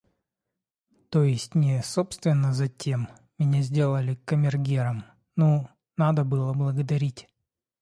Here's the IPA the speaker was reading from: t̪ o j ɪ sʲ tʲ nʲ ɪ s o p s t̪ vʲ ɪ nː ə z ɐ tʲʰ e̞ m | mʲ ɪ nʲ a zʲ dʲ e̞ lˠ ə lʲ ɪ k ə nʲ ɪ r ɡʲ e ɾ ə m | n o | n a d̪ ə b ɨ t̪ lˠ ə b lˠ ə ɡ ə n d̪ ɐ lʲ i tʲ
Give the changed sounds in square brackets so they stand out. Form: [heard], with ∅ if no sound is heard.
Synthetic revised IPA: t̪ o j ɪ sʲ tʲ nʲ ɪ s o p s t̪ vʲ ɪ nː ə z ɐ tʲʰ e̞ m | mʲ ɪ nʲ a zʲ dʲ e̞ lˠ ə lʲ ɪ k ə [mʲ] ɪ r ɡʲ e ɾ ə m | n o | n a d̪ ə b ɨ [∅] lˠ ə b lˠ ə ɡ ə [∅] d̪ ɐ [ɾʲ] i tʲ